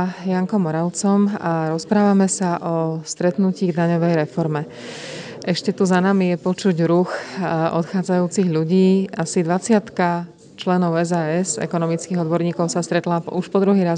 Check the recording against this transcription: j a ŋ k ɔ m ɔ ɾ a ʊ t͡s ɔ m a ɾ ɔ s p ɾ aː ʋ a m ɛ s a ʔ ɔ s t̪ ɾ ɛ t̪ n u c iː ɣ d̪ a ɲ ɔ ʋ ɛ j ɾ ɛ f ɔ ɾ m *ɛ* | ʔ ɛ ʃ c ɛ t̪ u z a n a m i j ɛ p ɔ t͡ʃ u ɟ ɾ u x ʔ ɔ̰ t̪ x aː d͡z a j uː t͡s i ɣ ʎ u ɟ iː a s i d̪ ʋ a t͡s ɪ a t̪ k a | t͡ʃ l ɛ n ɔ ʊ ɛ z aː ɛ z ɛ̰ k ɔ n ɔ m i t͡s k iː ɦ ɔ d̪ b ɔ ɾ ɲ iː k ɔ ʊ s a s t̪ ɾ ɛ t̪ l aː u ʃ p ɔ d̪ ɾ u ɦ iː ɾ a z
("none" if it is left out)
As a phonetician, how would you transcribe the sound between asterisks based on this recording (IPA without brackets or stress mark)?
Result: ɛ